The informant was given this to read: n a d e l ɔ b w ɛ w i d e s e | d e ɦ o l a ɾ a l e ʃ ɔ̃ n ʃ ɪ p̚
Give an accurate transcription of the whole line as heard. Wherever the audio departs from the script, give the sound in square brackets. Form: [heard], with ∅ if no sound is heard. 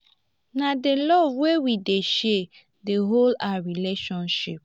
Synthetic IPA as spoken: n a d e l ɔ [v] w [e] w i d e [ʃ] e | d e ɦ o l a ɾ [i] l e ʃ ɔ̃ n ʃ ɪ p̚